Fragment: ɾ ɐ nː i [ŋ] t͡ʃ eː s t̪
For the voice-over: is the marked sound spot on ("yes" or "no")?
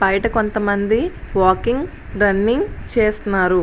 yes